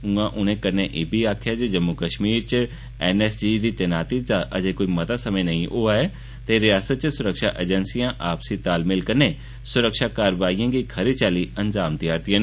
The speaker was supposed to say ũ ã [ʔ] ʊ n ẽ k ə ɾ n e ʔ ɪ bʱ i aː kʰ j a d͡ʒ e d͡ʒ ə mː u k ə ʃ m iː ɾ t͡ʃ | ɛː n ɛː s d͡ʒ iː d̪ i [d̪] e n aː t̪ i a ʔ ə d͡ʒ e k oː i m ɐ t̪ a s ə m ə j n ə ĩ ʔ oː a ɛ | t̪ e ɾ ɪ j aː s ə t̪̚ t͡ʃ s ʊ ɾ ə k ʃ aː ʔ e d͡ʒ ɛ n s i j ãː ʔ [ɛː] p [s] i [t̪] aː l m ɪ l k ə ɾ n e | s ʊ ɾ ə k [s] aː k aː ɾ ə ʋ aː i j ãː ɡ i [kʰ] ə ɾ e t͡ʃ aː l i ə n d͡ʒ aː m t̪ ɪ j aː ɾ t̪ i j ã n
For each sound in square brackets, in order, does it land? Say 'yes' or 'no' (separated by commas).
yes, no, no, yes, yes, no, yes